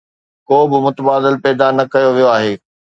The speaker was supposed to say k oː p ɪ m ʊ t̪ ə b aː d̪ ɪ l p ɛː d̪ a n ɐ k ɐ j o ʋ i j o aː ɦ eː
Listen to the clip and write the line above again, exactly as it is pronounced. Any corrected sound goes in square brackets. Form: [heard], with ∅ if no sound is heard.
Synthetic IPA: k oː [b] ɪ m ʊ t̪ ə b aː d̪ ɪ l p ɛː d̪ a n ɐ k ɐ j o ʋ i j o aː ɦ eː